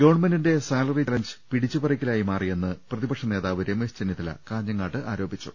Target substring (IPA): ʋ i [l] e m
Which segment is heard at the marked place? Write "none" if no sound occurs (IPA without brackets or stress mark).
ɾ